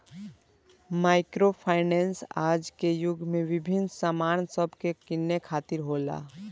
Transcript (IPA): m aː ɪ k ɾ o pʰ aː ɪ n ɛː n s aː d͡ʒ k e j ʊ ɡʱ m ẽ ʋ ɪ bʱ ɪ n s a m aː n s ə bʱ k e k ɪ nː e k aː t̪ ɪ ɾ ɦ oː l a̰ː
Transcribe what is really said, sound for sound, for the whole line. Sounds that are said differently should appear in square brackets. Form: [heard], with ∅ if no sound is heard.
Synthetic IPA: m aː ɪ k ɾ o pʰ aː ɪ n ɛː n s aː d͡ʒ k e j ʊ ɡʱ m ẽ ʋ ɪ bʱ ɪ n s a m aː n s ə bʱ k e k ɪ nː e [kʰ] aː t̪ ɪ ɾ ɦ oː l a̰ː